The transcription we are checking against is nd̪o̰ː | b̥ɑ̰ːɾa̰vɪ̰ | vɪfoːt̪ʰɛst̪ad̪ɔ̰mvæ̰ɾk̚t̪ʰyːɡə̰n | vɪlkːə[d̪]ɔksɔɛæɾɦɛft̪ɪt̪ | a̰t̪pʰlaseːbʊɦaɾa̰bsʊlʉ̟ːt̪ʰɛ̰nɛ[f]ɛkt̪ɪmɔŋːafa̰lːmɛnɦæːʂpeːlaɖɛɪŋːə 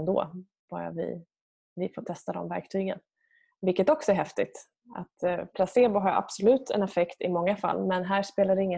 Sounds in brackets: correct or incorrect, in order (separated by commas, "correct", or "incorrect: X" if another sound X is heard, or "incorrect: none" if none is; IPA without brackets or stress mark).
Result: incorrect: t̪, correct